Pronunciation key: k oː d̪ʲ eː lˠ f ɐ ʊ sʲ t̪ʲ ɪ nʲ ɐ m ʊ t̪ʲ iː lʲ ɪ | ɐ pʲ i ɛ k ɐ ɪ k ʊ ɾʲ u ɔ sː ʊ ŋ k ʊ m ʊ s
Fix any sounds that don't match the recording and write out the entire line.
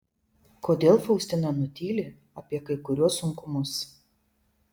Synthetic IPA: k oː d̪ʲ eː lˠ f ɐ ʊ sʲ t̪ʲ ɪ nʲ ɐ n ʊ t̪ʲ iː lʲ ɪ | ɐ pʲ i ɛ k ɐ ɪ k ʊ ɾʲ u ɔ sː ʊ ŋ k ʊ m ʊ s